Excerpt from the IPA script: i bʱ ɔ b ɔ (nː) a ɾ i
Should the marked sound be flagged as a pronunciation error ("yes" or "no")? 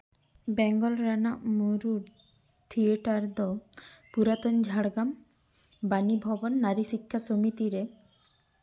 no